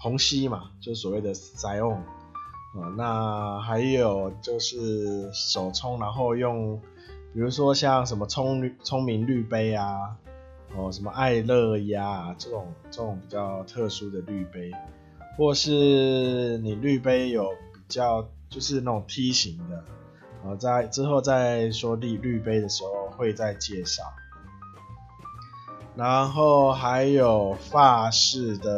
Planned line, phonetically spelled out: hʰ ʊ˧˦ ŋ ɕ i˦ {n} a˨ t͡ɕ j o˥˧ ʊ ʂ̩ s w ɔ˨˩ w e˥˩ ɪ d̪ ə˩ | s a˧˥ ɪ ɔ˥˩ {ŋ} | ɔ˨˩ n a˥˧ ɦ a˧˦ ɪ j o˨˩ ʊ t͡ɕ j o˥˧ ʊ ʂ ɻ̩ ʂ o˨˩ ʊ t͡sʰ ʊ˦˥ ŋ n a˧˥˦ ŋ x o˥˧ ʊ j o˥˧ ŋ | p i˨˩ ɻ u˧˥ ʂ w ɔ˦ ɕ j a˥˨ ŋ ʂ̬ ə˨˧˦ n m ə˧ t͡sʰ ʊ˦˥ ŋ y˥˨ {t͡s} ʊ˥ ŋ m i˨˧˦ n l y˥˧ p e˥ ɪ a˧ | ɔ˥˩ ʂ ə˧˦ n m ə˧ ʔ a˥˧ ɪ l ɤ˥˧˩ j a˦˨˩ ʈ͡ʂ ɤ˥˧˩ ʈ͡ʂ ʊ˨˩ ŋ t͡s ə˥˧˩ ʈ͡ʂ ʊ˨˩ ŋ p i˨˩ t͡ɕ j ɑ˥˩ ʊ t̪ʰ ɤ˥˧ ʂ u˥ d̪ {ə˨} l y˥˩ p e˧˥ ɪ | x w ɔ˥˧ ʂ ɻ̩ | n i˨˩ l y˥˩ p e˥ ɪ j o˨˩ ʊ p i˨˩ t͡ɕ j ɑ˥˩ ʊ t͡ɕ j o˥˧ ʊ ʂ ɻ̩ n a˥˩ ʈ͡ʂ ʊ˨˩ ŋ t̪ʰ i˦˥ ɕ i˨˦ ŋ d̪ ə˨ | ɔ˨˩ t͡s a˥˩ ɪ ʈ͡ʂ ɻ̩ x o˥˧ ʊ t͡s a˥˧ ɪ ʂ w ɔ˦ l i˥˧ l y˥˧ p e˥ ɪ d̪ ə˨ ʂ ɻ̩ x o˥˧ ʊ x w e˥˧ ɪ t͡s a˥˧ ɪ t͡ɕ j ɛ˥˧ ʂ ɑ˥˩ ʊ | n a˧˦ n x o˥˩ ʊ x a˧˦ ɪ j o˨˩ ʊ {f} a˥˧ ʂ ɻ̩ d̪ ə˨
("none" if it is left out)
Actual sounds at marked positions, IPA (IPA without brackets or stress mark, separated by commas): m, ŋ, t͡sʰ, ə˨, f